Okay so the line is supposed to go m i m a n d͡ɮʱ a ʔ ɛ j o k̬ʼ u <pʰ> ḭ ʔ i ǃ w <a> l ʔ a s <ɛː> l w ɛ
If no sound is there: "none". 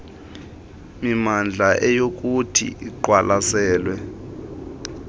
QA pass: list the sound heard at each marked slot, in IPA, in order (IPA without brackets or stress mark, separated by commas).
tʰ, a, ɛː